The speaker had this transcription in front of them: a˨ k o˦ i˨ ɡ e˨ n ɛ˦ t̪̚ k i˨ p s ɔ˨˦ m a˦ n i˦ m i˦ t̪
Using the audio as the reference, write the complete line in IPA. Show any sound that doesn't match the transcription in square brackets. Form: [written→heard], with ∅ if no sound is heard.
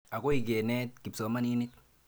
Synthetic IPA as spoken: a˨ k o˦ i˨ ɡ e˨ n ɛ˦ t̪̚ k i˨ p s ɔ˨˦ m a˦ n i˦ [m→n] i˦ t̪